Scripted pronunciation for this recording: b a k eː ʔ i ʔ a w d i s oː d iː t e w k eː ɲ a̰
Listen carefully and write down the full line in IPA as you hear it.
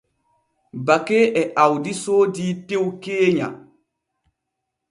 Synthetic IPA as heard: b a k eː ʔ ɛ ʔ a w d i s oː d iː t e w k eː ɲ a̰